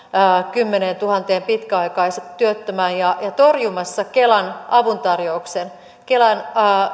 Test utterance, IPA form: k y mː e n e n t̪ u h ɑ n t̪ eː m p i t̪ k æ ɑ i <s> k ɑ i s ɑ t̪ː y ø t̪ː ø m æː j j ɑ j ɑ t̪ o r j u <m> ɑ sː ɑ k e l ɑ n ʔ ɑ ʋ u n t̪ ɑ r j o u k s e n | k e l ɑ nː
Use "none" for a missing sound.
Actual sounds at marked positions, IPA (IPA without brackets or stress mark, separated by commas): none, m